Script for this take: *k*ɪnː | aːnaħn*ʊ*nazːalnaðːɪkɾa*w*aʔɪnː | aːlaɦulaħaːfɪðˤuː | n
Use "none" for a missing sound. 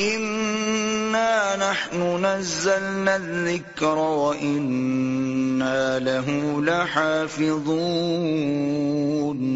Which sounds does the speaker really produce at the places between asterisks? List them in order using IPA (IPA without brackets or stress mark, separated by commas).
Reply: ʔ, ʊ, w